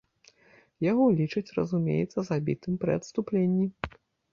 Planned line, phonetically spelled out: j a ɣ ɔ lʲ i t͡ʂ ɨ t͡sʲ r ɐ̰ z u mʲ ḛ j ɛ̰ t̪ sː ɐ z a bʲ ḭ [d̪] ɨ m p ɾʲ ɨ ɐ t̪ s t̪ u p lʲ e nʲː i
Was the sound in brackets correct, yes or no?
no